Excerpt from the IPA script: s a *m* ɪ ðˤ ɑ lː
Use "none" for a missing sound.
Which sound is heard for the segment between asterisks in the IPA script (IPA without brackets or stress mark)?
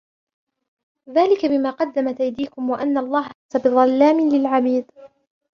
b